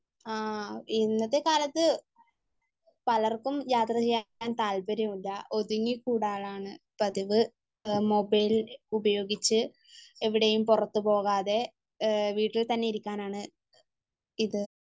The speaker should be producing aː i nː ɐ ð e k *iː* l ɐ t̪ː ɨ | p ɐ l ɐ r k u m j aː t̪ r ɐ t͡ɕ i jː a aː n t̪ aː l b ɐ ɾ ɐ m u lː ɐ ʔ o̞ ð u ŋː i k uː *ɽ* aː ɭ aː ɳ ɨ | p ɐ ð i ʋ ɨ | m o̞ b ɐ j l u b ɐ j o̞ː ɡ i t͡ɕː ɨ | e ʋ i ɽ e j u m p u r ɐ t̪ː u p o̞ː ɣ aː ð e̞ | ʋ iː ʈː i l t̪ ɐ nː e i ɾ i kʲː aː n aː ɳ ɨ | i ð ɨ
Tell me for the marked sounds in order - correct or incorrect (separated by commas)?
incorrect, correct